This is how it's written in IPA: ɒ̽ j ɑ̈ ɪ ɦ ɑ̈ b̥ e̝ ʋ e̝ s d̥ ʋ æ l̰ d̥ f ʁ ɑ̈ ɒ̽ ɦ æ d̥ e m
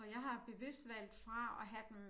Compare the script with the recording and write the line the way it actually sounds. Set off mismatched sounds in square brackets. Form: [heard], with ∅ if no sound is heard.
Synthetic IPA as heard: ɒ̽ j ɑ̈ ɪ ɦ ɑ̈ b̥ e̝ ʋ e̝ s d̥ ʋ æ l̰ d̥ f ʁ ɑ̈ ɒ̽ ɦ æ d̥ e m